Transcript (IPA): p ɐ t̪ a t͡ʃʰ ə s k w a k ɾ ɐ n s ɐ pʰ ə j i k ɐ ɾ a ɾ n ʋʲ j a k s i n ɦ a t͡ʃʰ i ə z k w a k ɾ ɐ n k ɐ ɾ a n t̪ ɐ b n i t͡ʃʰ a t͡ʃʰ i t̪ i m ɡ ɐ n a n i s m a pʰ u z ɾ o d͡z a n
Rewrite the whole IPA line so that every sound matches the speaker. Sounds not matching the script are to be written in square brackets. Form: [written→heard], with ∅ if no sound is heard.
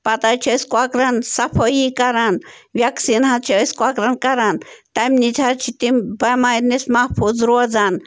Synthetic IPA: p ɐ t̪ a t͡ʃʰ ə s k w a k ɾ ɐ n s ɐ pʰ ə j i k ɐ ɾ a [ɾ→∅] n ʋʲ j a k s i n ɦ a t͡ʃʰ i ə [z→s] k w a k ɾ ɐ n k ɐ ɾ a n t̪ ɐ [b→m] n i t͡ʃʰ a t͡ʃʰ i t̪ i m [ɡ→b] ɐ [n→m] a n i s m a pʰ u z ɾ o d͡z a n

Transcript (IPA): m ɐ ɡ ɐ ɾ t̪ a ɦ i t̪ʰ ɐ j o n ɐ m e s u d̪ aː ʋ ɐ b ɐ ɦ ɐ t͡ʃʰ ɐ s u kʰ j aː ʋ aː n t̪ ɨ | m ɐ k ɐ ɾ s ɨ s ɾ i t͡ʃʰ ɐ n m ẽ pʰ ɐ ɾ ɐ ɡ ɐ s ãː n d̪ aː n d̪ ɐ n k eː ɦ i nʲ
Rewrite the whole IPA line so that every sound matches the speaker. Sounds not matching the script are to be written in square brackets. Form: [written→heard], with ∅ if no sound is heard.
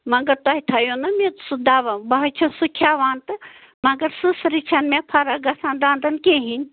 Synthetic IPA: m ɐ ɡ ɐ ɾ t̪ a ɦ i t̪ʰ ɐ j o n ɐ m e s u d̪ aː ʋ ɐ b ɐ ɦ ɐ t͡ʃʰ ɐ s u kʰ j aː ʋ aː n t̪ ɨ | m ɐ [k→ɡ] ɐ ɾ s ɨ s ɾ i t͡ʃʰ ɐ n m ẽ pʰ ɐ ɾ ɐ ɡ ɐ s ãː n d̪ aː n d̪ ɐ n k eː ɦ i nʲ

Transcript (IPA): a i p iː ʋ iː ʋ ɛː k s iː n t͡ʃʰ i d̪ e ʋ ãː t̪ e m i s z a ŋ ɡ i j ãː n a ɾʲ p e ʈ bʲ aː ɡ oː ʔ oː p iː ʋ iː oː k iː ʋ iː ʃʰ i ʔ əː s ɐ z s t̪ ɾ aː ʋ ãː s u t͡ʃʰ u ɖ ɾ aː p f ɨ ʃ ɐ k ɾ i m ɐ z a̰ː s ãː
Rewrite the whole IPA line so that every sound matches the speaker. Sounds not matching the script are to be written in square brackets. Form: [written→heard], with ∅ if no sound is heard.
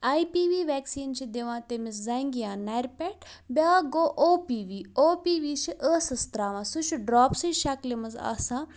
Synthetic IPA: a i p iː ʋ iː ʋ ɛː k s iː n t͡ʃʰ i d̪ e ʋ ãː t̪ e m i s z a ŋ ɡ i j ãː n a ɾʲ p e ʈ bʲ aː ɡ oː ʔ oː p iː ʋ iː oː [k→p] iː ʋ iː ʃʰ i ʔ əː s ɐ [z→∅] s t̪ ɾ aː ʋ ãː s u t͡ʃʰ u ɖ ɾ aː p [f→s] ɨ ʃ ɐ k [ɾ→l] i m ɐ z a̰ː s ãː

